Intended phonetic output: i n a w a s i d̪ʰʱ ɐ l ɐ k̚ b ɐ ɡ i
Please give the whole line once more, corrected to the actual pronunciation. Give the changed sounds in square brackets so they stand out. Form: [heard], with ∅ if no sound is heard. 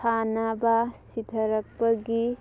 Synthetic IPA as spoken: [a] n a [b] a s i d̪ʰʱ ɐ [ɾ] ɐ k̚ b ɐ ɡ i